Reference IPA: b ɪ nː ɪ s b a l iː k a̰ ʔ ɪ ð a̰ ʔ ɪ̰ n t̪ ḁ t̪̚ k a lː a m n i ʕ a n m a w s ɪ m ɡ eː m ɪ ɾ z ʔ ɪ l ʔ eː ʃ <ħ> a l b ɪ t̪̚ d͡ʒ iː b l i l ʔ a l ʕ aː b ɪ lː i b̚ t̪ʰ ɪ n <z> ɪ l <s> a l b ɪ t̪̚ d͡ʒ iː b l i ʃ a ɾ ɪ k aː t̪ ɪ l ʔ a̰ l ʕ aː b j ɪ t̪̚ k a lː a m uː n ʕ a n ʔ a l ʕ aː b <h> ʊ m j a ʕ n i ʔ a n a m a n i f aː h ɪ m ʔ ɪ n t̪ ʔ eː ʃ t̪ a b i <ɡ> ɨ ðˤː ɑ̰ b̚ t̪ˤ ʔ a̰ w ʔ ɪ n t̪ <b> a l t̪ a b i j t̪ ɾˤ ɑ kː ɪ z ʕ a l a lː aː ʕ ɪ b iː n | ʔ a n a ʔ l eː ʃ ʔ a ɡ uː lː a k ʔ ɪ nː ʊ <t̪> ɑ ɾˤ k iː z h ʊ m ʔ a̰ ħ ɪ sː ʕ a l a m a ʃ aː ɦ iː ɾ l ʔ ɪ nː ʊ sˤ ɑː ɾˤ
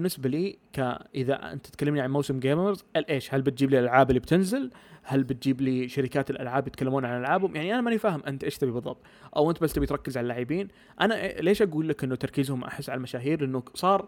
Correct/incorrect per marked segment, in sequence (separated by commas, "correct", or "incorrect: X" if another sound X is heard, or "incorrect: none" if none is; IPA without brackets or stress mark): incorrect: h, correct, incorrect: h, correct, incorrect: b, correct, correct